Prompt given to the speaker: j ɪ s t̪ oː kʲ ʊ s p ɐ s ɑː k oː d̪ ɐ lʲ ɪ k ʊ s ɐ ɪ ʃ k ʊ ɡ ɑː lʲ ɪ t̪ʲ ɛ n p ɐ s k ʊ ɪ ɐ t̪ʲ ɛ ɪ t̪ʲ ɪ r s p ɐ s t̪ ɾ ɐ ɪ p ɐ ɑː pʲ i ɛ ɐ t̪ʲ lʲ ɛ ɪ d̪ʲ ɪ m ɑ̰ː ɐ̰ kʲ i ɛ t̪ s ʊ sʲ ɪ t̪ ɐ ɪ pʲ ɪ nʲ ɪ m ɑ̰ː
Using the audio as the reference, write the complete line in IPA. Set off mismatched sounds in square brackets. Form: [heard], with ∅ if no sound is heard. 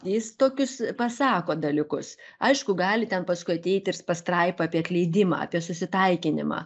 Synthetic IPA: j ɪ s t̪ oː kʲ ʊ s p ɐ s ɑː k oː d̪ ɐ lʲ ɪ k ʊ s ɐ ɪ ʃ k ʊ ɡ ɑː lʲ ɪ t̪ʲ ɛ n p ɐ s k ʊ ɪ ɐ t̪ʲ ɛ ɪ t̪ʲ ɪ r s p ɐ s t̪ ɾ ɐ ɪ p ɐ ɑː pʲ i ɛ ɐ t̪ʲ lʲ ɛ ɪ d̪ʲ ɪ m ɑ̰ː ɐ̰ [pʲ] i ɛ [∅] s ʊ sʲ ɪ t̪ ɐ ɪ [kʲ] ɪ nʲ ɪ m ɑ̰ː